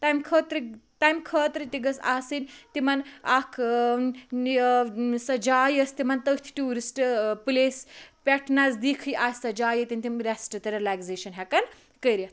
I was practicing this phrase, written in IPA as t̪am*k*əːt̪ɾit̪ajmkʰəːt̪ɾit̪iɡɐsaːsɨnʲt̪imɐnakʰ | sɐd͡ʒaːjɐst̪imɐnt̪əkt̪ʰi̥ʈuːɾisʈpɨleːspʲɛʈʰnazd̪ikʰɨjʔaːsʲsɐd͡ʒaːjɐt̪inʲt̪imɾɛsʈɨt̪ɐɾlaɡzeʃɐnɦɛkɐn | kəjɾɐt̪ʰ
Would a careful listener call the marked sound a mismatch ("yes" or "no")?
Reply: yes